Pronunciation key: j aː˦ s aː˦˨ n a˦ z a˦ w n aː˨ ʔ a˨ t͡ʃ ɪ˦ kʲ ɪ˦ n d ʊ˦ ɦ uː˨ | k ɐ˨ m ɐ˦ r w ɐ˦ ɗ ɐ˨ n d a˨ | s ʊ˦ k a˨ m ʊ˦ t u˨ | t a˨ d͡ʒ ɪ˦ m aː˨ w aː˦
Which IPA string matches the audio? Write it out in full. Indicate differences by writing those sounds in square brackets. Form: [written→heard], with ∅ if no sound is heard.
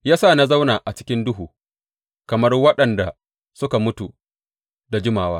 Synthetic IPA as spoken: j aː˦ s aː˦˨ n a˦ z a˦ w n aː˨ ʔ a˨ t͡ʃ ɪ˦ kʲ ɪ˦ n d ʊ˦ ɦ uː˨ | k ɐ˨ m ɐ˦ r w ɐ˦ ɗ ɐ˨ n d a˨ | s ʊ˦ k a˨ m ʊ˦ t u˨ | [t→d] a˨ d͡ʒ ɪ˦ m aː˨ w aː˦